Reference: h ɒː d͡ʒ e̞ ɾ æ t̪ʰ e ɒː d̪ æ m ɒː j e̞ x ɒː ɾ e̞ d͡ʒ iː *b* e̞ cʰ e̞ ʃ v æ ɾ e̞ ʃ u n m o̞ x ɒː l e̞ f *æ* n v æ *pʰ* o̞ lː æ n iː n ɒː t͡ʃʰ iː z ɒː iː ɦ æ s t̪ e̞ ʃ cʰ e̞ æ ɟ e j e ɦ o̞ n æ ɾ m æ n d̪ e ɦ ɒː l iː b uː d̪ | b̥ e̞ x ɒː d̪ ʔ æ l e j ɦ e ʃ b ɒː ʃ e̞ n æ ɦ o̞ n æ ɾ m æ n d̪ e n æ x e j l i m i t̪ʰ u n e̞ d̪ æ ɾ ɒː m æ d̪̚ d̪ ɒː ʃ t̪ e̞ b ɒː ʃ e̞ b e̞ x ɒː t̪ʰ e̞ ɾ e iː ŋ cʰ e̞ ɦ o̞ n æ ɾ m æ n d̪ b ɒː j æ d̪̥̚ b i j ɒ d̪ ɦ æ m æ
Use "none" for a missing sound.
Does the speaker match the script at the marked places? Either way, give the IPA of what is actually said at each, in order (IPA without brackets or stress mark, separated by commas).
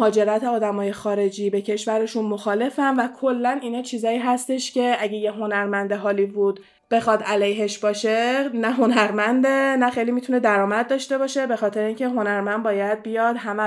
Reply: b, æ, kʰ